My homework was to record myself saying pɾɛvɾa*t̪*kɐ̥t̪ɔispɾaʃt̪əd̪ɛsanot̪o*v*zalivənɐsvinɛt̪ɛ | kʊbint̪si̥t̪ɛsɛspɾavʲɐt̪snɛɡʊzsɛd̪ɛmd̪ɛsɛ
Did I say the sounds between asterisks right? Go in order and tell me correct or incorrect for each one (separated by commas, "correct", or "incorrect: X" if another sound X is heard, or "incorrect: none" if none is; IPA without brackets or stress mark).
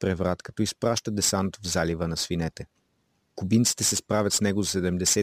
correct, correct